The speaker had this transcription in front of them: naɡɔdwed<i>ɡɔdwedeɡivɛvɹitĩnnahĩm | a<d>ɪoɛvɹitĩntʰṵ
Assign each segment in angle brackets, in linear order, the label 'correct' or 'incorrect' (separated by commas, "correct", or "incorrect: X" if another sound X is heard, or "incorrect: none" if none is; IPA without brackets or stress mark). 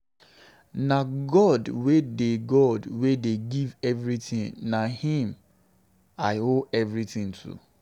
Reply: incorrect: e, incorrect: none